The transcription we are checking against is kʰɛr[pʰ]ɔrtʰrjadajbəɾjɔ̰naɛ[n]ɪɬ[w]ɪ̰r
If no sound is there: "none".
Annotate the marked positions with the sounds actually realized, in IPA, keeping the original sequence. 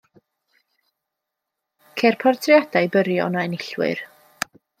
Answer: pʰ, n, w

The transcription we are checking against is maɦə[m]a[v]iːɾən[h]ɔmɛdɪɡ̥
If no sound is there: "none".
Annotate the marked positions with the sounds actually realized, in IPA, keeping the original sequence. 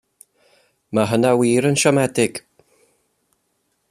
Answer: n, w, ʃ

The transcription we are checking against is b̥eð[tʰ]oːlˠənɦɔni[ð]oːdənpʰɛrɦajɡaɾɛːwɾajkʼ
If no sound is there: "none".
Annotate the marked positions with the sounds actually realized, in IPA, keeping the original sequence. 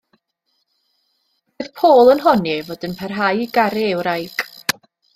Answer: pʰ, v

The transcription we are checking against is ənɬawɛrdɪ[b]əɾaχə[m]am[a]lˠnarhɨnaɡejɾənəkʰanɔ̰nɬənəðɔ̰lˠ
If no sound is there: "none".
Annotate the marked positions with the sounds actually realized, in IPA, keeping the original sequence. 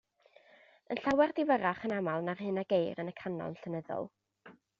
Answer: v, n, a

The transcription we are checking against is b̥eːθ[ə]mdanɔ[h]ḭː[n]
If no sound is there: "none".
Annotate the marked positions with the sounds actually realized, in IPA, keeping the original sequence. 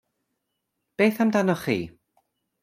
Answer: a, χ, none

